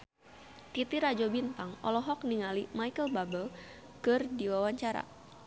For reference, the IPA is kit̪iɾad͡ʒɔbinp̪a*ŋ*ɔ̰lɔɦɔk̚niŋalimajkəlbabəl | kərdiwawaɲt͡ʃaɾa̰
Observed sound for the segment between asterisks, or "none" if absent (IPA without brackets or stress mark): ŋ